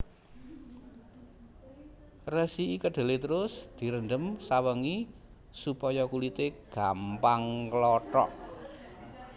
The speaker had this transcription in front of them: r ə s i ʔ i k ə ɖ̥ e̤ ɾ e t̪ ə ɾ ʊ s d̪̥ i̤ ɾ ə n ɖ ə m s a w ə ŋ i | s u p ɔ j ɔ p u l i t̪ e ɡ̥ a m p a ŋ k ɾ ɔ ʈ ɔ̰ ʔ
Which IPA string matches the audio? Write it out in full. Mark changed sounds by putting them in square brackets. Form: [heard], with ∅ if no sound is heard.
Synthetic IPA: r ə s i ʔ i k ə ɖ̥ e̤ [l] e t̪ ə ɾ ʊ s d̪̥ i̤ ɾ ə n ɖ ə m s a w ə ŋ i | s u p ɔ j ɔ [k] u l i t̪ e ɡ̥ a m p a ŋ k [l] ɔ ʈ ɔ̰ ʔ

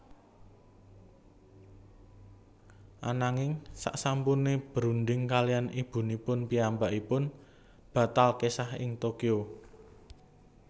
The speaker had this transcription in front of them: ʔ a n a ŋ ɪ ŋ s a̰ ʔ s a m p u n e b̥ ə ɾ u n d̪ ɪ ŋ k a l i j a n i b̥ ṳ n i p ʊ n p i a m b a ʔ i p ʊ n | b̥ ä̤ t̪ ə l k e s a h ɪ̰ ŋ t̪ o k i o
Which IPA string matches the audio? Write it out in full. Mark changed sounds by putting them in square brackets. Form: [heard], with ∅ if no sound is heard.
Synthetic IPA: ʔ a n a ŋ ɪ ŋ s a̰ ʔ s a m p u n e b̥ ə ɾ u n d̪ ɪ ŋ k a l i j a n i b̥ ṳ n i p ʊ n p i a m b a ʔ i p ʊ n | b̥ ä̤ t̪ [a] l k e s a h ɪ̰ ŋ t̪ o k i o

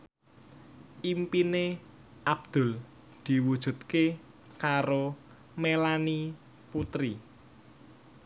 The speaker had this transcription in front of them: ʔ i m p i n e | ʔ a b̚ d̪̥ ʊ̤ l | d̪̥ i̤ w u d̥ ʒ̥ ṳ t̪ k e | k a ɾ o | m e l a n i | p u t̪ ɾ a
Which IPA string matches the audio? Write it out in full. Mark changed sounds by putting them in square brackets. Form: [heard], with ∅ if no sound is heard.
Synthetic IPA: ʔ i m p i n e | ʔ a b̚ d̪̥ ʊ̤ l | d̪̥ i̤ w u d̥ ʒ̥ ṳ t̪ k e | k a ɾ o | m e l a n i | p u t̪ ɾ [i]

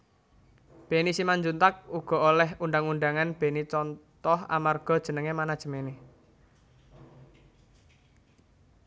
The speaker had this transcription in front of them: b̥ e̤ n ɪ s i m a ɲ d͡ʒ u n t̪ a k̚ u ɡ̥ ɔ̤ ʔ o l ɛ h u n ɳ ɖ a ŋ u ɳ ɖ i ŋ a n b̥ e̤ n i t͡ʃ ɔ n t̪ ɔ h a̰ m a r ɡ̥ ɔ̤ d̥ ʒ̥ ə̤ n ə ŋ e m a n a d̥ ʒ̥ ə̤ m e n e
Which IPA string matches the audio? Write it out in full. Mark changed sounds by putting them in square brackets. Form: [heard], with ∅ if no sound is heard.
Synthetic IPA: b̥ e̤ n [i] s i m a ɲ d͡ʒ u n t̪ a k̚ u ɡ̥ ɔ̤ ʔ o l ɛ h u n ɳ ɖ a ŋ u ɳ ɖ [a] ŋ a n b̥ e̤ n i t͡ʃ ɔ n t̪ ɔ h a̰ m a r ɡ̥ ɔ̤ d̥ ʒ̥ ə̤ n ə ŋ e m a n a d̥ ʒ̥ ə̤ m e n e

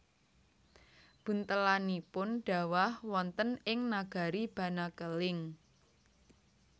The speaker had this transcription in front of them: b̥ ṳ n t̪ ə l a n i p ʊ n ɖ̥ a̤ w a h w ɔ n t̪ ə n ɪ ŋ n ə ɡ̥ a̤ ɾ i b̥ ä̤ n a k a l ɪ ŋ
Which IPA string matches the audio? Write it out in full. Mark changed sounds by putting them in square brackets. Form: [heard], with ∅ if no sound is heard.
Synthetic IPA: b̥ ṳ n t̪ ə l a n i p ʊ n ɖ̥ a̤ w a h w ɔ n t̪ ə n ɪ ŋ n [a] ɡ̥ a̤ ɾ i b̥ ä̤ n a k [ə] l ɪ ŋ

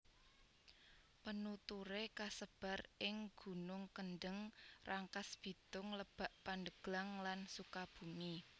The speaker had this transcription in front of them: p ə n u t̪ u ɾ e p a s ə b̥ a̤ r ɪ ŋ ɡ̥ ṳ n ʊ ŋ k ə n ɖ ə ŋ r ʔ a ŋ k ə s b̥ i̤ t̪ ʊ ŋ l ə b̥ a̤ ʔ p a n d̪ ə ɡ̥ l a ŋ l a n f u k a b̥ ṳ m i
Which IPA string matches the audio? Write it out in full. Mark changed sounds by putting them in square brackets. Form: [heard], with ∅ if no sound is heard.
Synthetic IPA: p ə n u t̪ u ɾ e [k] a s ə b̥ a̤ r ɪ ŋ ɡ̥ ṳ n ʊ ŋ k ə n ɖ ə ŋ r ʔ a ŋ k [a] s b̥ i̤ t̪ ʊ ŋ l ə b̥ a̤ ʔ p a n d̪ ə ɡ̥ l a ŋ l a n [s] u k a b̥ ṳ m i

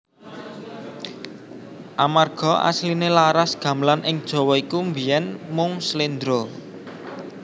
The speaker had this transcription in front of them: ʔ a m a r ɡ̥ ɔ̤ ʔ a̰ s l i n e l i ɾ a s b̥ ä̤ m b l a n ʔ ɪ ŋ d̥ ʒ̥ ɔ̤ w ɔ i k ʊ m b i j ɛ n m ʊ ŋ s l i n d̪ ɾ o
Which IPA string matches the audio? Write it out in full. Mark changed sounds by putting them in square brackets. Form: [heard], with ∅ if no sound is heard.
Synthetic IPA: ʔ a m a r ɡ̥ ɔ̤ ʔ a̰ s l i n e l [a] ɾ a s [ɡ̥] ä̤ m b l a n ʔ ɪ ŋ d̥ ʒ̥ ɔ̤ w ɔ i k [u] m b i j ɛ n m ʊ ŋ s l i n d̪ ɾ o

